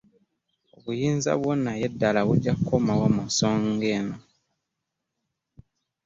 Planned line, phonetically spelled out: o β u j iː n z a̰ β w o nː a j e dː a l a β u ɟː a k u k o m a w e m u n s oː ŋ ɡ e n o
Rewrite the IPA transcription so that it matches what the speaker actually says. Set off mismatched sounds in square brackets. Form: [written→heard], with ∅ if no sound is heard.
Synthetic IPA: o β u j iː n z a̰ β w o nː a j e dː a l a β u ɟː a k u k o m a w [e→a] m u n s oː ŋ ɡ e n o